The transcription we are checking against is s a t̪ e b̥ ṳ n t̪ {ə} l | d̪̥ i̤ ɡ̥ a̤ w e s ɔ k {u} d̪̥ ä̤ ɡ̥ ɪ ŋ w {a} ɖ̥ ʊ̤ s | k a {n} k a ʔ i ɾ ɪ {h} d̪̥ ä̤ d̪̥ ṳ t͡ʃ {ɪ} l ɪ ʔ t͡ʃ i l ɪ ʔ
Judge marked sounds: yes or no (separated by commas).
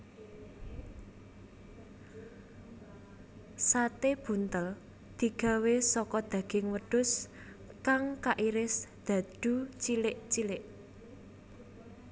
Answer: yes, no, no, no, no, no